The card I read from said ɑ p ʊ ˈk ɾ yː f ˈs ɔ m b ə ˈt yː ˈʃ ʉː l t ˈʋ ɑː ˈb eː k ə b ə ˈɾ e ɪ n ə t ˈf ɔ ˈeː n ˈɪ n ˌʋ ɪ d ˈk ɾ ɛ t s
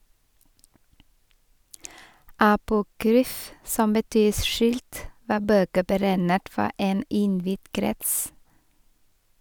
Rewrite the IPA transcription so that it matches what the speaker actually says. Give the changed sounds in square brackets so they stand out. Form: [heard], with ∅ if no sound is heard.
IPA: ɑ p ʊ ˈk ɾ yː f ˈs ɔ m b ə ˈt yː ˈʃ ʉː l t ˈʋ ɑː ˈb [øː] k ə b ə ˈɾ [æ] ɪ n ə t ˈf ɔ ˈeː n ˈɪ n ˌʋ ɪ d ˈk ɾ ɛ t s